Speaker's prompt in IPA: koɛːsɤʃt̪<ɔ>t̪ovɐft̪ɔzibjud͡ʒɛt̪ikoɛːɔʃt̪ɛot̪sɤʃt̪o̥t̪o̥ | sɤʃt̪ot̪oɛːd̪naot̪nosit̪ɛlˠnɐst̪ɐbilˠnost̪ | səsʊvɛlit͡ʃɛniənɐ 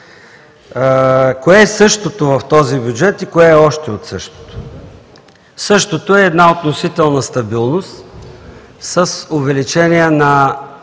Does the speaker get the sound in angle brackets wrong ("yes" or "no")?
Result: yes